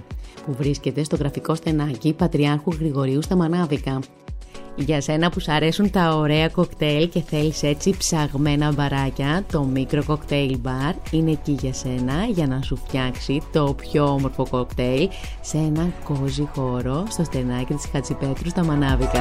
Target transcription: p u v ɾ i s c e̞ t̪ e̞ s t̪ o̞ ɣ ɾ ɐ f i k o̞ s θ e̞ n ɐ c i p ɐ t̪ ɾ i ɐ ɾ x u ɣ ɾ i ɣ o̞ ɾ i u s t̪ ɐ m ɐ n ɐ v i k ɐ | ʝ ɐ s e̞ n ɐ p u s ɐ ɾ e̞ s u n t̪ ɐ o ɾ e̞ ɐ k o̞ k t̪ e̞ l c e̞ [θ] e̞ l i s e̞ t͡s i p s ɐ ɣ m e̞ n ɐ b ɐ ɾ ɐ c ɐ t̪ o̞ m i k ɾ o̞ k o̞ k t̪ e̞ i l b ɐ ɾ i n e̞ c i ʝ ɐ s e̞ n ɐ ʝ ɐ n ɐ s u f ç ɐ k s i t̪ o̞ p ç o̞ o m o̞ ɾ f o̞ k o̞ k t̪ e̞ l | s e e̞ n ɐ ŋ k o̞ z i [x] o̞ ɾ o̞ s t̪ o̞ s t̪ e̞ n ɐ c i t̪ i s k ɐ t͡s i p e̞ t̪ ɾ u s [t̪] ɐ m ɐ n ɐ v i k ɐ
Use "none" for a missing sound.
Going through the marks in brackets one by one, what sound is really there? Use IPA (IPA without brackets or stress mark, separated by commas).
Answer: θ, x, t̪